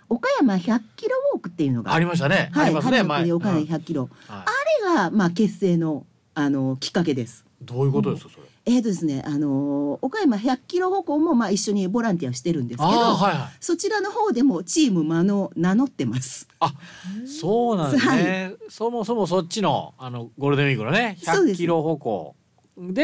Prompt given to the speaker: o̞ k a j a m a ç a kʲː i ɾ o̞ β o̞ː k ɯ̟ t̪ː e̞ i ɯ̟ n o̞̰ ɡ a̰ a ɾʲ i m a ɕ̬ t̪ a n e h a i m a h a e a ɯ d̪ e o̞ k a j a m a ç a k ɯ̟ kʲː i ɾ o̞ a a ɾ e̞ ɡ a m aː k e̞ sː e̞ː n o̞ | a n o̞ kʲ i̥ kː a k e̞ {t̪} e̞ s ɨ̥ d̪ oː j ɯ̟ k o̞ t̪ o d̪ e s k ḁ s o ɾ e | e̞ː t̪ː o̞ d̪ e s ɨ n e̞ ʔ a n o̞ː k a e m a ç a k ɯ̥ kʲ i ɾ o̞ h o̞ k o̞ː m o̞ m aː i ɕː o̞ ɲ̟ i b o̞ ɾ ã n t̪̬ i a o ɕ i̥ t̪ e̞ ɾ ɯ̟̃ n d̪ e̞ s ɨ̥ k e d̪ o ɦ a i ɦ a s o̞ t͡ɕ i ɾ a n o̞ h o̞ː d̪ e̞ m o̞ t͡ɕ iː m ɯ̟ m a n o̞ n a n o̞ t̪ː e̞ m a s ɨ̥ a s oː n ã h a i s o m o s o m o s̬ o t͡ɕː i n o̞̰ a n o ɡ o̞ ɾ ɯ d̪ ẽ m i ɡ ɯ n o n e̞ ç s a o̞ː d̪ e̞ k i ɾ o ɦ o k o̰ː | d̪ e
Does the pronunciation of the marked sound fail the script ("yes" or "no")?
yes